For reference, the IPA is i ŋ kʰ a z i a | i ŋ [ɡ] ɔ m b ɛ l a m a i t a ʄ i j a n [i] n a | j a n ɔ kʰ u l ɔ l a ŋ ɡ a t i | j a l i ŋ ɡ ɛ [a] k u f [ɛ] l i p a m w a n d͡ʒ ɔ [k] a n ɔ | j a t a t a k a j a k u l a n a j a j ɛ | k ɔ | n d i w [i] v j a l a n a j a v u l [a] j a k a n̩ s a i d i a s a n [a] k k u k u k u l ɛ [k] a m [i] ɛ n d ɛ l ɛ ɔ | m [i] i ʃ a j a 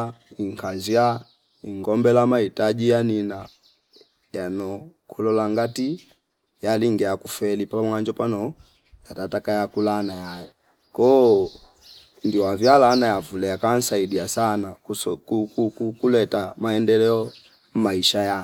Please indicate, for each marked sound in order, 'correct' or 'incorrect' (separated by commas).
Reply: correct, correct, correct, correct, incorrect, incorrect, incorrect, correct, incorrect, incorrect, incorrect